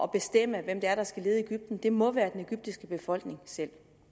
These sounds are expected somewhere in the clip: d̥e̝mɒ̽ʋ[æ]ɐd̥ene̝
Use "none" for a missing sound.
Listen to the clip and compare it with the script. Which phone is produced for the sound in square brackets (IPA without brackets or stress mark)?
æː